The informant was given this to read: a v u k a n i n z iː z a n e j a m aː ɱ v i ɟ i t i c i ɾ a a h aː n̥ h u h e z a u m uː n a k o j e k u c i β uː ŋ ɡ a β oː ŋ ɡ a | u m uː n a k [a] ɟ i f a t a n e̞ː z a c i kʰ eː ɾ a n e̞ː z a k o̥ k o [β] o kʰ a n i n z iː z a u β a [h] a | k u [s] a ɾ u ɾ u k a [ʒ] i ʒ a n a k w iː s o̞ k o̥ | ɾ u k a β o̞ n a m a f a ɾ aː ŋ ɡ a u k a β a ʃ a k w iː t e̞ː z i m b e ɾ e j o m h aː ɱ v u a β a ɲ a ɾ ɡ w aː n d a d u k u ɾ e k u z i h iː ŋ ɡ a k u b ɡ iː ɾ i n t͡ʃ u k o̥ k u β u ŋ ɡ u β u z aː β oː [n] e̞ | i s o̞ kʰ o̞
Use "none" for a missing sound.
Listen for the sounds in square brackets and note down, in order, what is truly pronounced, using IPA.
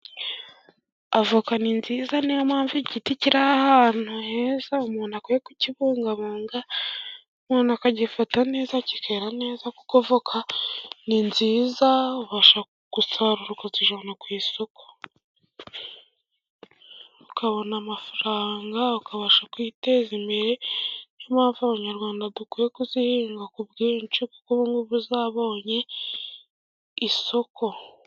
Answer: a, v, ʃ, s, z, ɲ

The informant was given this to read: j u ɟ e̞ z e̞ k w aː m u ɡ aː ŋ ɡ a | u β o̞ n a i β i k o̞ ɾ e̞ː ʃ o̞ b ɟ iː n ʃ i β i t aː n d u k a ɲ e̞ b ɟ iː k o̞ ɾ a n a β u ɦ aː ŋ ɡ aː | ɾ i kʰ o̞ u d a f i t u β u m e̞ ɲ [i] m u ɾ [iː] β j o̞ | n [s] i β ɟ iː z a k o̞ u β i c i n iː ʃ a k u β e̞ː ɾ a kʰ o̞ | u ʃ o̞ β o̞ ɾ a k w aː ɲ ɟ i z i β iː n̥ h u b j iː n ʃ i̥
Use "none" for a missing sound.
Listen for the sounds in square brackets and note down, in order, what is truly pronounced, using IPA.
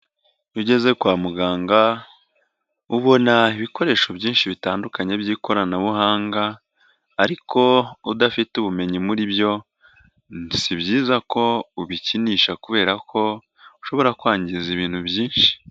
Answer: i, i, s

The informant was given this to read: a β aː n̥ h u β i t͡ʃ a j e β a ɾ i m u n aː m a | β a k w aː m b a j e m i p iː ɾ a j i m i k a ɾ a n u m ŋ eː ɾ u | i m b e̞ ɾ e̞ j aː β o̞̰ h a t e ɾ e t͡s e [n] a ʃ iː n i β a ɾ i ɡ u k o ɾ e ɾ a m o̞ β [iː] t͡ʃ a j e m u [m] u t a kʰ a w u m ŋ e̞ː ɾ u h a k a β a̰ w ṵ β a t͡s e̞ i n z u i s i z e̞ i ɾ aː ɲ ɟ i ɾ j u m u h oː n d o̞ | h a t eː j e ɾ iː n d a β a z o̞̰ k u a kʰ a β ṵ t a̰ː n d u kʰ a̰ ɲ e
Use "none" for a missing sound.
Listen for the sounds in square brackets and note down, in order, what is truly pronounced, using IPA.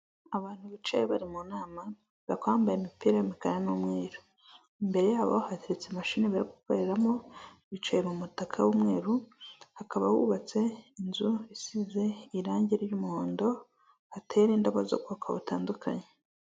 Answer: m, i, m

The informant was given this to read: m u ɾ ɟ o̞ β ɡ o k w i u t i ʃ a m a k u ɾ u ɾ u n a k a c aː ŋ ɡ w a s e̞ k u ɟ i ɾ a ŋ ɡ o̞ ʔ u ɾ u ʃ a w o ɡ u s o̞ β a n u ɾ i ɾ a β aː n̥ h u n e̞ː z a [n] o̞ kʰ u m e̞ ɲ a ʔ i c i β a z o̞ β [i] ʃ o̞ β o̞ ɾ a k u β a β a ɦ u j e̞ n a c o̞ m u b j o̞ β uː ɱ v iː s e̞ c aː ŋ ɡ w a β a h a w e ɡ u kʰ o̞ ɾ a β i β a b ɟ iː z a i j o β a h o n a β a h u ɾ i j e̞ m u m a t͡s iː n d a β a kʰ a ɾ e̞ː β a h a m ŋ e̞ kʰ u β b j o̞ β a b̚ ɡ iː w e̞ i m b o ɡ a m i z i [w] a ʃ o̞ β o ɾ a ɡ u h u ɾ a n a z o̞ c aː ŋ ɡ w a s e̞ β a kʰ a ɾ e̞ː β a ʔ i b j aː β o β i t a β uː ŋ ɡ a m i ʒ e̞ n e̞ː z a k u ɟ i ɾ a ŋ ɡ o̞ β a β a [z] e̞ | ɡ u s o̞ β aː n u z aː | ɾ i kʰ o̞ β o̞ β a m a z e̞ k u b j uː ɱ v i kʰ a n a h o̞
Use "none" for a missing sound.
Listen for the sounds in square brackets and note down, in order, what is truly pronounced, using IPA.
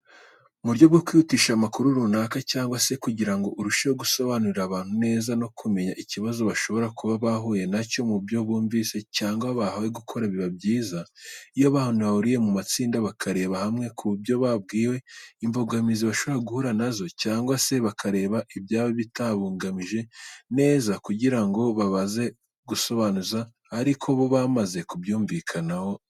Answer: n, a, β, z

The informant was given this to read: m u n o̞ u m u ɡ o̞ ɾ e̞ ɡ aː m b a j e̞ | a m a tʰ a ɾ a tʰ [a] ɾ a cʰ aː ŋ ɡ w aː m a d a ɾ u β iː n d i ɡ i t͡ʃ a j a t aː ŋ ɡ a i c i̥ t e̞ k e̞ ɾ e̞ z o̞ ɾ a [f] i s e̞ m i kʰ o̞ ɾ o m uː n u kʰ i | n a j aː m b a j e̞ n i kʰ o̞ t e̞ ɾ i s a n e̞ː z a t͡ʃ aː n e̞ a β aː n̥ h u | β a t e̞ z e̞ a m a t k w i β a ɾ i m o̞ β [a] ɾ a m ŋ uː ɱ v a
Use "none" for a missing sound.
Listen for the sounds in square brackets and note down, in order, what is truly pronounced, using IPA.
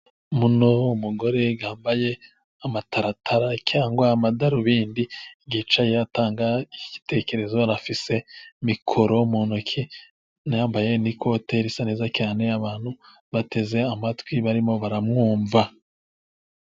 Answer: a, f, a

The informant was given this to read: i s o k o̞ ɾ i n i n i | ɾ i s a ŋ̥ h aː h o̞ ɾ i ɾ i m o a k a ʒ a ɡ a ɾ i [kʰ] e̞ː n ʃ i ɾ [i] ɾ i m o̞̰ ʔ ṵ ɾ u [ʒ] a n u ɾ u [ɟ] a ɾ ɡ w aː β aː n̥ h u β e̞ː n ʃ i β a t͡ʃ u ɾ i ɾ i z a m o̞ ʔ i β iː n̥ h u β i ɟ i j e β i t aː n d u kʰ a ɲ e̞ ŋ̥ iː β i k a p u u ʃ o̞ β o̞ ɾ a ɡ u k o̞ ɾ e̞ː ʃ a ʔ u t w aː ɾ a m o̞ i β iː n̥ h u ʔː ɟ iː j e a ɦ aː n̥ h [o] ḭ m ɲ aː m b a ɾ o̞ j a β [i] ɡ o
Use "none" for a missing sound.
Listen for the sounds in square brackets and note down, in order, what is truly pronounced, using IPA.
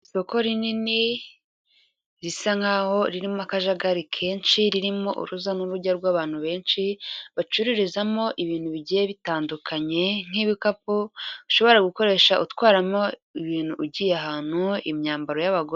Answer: kʰ, i, z, ɟ, u, a

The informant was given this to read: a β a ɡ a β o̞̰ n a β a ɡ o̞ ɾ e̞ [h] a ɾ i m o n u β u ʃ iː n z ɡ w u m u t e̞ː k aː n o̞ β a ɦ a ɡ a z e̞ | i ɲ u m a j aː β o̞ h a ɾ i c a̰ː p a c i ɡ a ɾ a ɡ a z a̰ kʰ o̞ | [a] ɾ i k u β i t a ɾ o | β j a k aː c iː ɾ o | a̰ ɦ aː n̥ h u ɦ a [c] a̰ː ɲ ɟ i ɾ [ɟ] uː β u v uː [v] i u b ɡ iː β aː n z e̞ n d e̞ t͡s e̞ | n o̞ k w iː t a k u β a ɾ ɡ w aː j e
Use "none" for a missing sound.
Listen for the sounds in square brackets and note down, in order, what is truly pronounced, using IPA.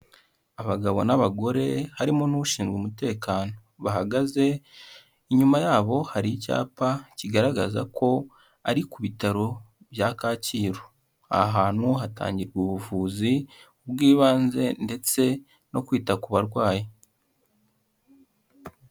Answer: h, a, t, ɡ, z

